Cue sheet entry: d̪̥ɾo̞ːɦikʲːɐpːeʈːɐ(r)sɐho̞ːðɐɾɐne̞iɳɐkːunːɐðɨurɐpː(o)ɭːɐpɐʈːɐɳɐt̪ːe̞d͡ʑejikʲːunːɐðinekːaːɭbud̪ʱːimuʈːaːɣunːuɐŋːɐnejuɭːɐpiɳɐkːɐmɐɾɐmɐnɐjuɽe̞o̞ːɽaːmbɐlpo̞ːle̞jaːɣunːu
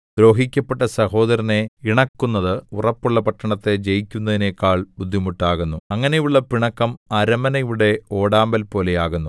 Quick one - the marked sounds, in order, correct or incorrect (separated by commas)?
incorrect, incorrect